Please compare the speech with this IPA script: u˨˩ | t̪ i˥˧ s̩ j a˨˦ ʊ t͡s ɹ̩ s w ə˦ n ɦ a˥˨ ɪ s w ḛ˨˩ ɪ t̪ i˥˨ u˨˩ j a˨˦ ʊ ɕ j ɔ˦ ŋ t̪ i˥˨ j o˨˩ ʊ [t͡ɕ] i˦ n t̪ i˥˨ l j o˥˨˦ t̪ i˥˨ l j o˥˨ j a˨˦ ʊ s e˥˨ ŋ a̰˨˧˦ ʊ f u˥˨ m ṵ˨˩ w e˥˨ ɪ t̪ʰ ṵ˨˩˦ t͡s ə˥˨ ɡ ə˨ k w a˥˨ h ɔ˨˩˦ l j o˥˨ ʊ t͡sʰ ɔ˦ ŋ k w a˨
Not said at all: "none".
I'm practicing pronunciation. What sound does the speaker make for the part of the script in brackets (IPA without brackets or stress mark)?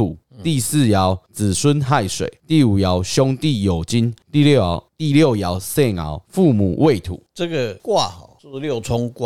t͡ɕ